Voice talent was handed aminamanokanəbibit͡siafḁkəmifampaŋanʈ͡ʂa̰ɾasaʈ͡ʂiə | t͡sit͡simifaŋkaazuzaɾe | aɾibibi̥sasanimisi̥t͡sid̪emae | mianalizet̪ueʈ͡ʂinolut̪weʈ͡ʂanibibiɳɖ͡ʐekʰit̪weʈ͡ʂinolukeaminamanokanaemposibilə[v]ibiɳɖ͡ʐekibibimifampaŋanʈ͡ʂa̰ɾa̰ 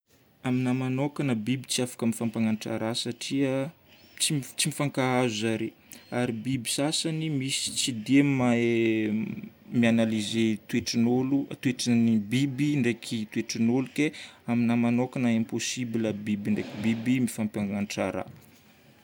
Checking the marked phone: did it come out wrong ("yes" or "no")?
yes